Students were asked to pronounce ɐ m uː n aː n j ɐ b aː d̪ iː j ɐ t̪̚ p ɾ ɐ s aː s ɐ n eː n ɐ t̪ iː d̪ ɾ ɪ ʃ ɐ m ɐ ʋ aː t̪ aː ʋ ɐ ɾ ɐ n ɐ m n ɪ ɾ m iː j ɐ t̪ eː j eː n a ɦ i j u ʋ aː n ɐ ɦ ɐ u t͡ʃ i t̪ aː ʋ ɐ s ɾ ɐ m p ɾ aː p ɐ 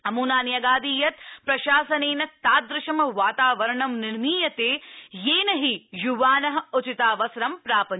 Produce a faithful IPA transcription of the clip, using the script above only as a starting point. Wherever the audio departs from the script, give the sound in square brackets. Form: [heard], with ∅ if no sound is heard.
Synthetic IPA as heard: ɐ m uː n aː n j ɐ [ɡ] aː d̪ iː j ɐ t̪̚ p ɾ ɐ [ʃ] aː s ɐ n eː n ɐ t̪ [aː] d̪ ɾ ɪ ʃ ɐ m ɐ ʋ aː t̪ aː ʋ ɐ ɾ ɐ [ɳ] ɐ m n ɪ ɾ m iː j ɐ t̪ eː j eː n [ɐ] ɦ i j u ʋ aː n ɐ ɦ ɐ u t͡ʃ i t̪ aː ʋ ɐ s ɾ ɐ m p ɾ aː p ɐ